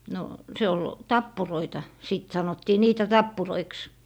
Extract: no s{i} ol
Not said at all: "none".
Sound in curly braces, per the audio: e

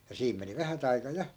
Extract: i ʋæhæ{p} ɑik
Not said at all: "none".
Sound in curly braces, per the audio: t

